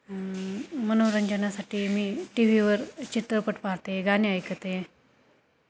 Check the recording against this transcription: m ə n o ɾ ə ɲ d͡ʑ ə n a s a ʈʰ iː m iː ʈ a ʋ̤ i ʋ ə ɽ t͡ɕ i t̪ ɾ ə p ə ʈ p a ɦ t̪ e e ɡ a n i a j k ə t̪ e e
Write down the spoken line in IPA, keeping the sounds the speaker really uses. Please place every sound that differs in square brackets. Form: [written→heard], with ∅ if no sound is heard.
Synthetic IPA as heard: m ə n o ɾ ə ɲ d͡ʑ ə n a s a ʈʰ iː m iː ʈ [a→i] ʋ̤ i ʋ ə [ɽ→ɾ] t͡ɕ i t̪ ɾ ə p ə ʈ p a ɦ t̪ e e ɡ a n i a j k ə t̪ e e